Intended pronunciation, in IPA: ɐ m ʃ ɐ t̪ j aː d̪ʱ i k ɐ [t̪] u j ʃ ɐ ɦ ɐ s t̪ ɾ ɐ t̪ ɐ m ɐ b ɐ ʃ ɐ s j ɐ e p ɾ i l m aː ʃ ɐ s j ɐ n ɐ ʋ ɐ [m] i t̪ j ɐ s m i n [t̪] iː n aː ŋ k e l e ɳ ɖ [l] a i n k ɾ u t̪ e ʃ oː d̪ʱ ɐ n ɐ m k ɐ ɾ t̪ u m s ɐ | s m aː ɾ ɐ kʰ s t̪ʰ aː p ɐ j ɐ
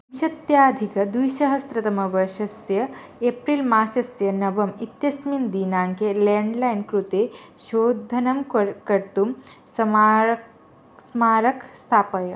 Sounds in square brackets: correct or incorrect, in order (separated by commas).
incorrect, correct, incorrect, correct